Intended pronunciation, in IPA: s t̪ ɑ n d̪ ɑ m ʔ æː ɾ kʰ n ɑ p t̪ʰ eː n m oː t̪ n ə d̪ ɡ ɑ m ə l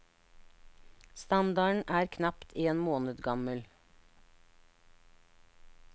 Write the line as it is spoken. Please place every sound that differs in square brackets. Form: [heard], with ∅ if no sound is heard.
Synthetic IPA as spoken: s t̪ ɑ n d̪ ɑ [ɳ] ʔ æː ɾ kʰ n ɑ p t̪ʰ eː n m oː [∅] n ə d̪ ɡ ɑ m ə l